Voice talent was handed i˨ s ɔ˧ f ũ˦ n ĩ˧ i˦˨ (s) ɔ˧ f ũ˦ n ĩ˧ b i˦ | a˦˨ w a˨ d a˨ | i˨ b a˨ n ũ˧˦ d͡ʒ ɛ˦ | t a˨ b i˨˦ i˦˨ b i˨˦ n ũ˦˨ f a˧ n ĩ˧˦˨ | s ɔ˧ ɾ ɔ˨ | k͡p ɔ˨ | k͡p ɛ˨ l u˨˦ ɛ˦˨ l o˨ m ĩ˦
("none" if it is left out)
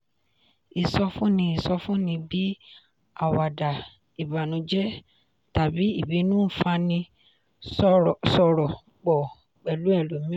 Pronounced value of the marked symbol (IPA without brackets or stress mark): s